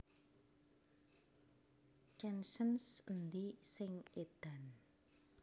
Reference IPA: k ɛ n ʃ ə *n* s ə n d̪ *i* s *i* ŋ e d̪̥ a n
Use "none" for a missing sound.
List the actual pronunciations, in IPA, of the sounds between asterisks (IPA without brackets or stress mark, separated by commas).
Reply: n, i, ɪ